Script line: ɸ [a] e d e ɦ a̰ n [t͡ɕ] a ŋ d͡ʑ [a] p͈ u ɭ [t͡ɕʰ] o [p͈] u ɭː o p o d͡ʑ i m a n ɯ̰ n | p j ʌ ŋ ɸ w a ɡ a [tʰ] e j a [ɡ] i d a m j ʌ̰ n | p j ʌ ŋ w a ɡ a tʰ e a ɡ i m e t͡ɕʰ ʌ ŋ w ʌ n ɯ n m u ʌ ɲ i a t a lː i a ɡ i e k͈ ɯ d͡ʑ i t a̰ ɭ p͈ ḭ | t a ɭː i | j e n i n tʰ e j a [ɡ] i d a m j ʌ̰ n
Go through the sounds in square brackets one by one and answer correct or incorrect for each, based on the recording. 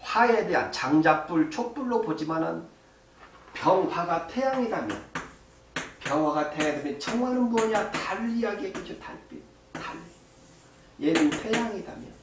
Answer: correct, correct, correct, correct, correct, correct, incorrect: ŋ, incorrect: ŋ

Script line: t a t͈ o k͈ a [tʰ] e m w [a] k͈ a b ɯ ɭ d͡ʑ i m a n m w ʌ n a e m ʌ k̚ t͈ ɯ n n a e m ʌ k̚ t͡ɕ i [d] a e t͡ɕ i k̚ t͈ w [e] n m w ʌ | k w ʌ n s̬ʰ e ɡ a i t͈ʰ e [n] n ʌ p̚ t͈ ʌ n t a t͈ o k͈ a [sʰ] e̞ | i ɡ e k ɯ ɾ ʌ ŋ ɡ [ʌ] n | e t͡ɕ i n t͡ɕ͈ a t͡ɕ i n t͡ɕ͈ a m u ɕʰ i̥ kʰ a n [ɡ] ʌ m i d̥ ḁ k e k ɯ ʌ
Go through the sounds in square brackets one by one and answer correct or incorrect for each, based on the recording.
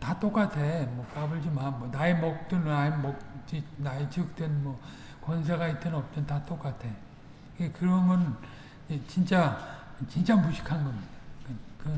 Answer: correct, incorrect: ʌ, incorrect: n, correct, correct, incorrect: tʰ, correct, correct

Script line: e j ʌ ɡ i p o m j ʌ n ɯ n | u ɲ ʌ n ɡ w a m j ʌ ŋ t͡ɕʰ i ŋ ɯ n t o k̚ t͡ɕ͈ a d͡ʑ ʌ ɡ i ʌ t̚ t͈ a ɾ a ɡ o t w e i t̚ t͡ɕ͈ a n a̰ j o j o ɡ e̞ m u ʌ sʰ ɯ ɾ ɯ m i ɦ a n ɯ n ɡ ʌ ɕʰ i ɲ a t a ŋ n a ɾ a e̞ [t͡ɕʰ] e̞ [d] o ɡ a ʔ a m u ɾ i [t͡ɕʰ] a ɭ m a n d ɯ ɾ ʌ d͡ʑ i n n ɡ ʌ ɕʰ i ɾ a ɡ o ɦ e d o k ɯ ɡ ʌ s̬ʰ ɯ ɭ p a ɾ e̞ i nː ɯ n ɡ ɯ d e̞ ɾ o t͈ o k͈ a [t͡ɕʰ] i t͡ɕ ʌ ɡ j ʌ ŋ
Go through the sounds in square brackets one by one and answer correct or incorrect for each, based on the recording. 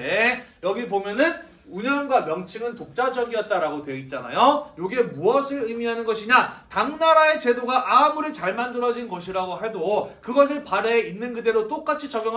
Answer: incorrect: t͡ɕ, correct, incorrect: t͡ɕ, correct

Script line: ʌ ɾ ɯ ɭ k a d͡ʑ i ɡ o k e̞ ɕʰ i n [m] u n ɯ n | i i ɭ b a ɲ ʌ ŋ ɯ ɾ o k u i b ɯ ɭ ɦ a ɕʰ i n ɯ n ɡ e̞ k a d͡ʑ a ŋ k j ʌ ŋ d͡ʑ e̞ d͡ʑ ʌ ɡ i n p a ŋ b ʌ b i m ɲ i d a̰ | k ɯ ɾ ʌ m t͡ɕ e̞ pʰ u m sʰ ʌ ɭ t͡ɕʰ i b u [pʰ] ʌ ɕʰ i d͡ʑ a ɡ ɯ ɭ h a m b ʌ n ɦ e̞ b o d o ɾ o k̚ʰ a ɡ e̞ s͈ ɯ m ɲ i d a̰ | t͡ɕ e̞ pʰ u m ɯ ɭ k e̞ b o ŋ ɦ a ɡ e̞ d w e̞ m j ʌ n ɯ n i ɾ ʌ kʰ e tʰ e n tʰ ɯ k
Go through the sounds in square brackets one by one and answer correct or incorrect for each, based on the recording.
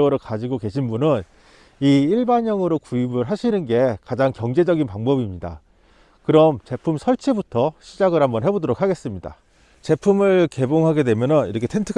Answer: incorrect: b, incorrect: tʰ

